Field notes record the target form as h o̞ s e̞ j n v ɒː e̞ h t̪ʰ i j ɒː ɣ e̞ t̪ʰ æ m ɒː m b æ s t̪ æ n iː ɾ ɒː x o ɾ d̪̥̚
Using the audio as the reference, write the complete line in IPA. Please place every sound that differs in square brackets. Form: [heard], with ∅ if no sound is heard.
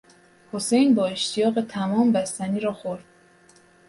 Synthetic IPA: h o̞ s e̞ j n [b] ɒː e̞ [ʃ] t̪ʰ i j ɒː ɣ e̞ t̪ʰ æ m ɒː m b æ s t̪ æ n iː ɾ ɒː x o ɾ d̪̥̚